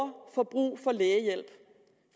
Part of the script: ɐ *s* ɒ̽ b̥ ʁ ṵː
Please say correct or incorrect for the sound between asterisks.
incorrect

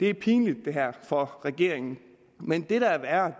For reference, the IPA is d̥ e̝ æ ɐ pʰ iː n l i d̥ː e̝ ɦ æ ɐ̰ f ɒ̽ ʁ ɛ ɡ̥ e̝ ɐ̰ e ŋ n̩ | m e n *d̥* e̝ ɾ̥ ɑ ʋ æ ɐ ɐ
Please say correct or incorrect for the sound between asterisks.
correct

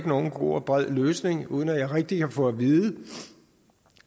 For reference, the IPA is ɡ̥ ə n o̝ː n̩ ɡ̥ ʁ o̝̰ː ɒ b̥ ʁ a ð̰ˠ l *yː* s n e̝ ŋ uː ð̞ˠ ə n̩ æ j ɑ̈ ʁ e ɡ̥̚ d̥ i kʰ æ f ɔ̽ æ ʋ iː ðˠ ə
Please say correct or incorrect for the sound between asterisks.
incorrect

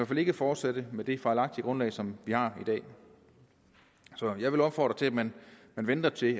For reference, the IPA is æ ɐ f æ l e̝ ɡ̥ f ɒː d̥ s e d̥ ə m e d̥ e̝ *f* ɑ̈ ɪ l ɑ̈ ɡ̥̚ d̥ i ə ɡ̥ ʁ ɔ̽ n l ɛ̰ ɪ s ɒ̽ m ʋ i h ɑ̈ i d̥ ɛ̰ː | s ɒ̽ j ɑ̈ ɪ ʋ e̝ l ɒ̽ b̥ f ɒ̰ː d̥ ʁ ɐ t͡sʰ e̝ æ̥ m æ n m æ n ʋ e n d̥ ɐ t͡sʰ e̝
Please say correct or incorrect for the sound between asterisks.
correct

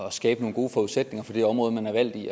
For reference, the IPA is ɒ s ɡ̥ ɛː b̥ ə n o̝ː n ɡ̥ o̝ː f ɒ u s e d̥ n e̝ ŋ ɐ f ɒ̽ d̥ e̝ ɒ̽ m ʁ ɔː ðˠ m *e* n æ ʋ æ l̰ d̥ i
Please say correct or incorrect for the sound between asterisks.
incorrect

